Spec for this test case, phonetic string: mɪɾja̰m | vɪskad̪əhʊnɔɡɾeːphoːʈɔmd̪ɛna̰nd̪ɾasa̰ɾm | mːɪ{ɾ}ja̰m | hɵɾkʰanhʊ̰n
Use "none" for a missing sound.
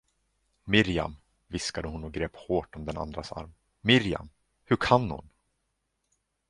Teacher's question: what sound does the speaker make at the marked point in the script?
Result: ɾ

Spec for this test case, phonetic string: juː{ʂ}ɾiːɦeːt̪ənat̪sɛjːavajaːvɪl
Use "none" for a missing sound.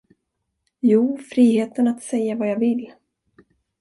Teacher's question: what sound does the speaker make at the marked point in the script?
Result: f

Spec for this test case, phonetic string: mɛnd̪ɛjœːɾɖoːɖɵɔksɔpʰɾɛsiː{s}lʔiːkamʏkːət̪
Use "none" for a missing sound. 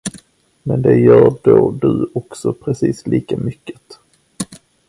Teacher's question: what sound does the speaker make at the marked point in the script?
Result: s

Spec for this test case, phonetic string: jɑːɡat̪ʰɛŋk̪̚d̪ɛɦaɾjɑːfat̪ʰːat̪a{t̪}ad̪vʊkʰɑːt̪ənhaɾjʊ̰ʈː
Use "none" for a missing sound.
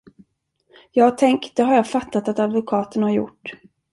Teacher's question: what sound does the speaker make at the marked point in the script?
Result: t̪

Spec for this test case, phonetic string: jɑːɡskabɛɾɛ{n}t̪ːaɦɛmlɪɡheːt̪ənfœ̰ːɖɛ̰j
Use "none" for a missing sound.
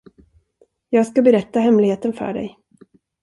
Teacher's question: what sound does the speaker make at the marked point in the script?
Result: none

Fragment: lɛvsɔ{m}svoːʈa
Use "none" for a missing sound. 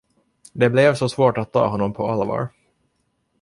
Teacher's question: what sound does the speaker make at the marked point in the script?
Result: none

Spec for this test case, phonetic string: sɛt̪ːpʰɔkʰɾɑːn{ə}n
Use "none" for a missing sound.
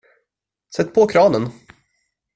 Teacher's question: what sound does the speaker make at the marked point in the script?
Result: ə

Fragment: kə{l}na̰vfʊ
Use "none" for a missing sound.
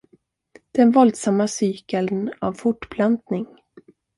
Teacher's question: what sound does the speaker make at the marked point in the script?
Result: l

